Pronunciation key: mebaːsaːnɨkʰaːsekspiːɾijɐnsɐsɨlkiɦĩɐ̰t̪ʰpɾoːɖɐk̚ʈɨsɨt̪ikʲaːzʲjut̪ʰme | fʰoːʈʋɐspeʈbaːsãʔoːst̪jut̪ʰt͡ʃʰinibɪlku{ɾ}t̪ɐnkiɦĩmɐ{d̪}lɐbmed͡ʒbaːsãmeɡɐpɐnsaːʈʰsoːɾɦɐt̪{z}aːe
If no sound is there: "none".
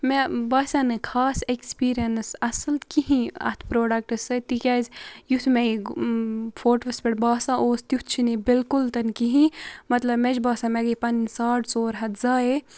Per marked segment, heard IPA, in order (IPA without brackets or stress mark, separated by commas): l, t̪, z